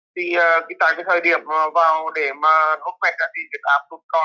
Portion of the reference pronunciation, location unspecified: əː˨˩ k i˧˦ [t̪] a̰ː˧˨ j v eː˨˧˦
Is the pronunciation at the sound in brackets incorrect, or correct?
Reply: correct